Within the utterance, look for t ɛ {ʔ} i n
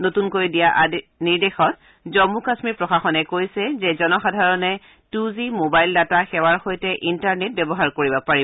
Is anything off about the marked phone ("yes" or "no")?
no